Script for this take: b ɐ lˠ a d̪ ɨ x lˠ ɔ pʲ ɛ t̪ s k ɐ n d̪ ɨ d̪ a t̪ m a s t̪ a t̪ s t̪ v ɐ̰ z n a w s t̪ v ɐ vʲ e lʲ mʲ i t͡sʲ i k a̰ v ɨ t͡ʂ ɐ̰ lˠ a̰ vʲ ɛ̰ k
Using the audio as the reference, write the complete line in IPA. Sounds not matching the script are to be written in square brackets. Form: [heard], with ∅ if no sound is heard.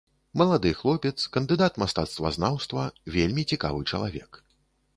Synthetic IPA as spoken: [m] ɐ lˠ a d̪ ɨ x lˠ ɔ pʲ ɛ t̪ s k ɐ n d̪ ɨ d̪ a t̪ m a s t̪ a t̪ s t̪ v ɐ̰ z n a w s t̪ v ɐ vʲ e lʲ mʲ i t͡sʲ i k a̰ v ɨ t͡ʂ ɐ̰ lˠ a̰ vʲ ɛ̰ k